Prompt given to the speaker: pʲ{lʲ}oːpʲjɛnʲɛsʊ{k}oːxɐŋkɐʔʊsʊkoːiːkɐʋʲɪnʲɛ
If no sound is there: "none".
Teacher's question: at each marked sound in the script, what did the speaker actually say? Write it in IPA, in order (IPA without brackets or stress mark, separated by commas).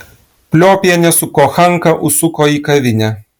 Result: lʲ, k